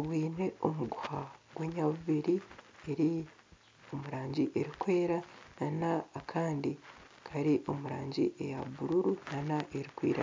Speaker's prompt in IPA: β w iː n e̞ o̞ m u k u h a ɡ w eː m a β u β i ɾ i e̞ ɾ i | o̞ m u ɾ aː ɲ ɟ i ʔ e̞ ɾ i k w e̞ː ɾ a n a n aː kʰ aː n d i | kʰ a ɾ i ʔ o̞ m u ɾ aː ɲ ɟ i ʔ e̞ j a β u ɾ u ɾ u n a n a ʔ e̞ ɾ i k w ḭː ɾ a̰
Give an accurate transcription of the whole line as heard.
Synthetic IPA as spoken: β w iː n e̞ o̞ m u ɡ u h a ɡ w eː ɲ a β u β i ɾ i e̞ ɾ i | o̞ m u ɾ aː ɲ ɟ i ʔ e̞ ɾ i k w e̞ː ɾ a n a n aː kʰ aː n d i | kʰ a ɾ i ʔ o̞ m u ɾ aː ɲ ɟ i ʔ e̞ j a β u ɾ u ɾ u n a n a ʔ e̞ ɾ i k w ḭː ɾ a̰